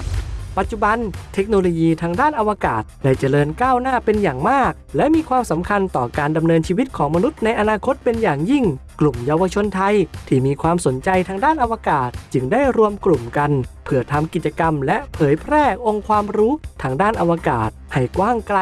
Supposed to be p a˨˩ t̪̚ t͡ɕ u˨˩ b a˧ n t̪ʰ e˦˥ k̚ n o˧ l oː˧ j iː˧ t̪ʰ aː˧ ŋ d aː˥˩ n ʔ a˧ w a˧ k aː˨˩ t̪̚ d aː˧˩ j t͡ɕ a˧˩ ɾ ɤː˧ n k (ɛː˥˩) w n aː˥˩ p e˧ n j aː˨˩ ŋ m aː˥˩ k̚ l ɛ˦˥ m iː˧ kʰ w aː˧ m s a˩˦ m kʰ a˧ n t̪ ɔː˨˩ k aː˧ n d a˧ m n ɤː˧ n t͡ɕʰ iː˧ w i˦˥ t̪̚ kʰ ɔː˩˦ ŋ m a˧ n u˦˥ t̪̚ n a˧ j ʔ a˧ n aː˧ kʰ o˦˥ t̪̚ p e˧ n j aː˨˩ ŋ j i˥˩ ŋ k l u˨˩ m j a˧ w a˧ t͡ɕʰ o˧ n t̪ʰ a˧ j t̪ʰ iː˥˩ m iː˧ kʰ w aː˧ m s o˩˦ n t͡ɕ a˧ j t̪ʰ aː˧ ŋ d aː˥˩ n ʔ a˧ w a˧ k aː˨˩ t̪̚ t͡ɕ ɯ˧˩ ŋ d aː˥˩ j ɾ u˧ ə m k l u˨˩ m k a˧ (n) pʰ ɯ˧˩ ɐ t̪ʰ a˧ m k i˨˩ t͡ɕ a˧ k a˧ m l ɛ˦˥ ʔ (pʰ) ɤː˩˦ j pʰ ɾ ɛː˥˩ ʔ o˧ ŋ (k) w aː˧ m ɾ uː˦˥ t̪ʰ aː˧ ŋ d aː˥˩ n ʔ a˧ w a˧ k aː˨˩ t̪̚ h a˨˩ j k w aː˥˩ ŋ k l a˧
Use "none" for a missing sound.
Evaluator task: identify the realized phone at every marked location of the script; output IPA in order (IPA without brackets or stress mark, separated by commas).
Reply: aː˥˩, n, pʰ, kʰ